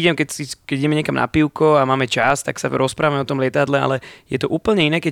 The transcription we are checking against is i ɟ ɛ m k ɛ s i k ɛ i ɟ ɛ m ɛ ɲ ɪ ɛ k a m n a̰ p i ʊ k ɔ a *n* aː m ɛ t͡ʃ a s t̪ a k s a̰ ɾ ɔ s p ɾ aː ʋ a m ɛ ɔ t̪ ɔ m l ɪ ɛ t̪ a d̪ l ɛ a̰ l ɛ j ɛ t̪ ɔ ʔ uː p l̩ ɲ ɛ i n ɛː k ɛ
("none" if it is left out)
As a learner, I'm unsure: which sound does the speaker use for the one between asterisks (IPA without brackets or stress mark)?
m